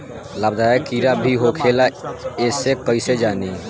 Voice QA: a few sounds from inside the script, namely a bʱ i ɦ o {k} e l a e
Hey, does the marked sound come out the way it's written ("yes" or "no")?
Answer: no